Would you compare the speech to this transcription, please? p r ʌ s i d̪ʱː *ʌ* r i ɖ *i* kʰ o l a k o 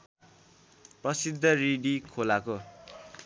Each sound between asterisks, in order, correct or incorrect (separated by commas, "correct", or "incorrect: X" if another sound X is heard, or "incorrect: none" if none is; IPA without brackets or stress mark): correct, correct